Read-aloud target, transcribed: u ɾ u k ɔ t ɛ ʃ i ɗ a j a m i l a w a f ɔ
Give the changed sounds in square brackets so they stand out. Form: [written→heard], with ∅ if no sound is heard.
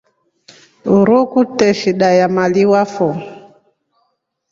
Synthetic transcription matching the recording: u ɾ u k [ɔ→u] t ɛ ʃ i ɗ a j a m [i→a] l [a→i] w a f ɔ